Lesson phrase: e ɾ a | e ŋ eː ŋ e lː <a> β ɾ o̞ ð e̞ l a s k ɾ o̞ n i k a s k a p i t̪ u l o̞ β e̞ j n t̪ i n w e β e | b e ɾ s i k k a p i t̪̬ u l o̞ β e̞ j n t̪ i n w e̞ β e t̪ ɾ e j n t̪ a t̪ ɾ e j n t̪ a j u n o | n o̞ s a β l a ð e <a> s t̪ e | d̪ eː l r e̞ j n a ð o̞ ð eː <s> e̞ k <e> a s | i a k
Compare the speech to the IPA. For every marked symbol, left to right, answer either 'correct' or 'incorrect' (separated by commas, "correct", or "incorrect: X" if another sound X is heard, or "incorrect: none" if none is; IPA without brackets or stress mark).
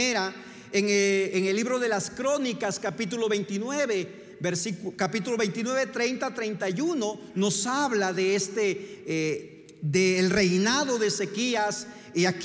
incorrect: i, incorrect: e, correct, incorrect: i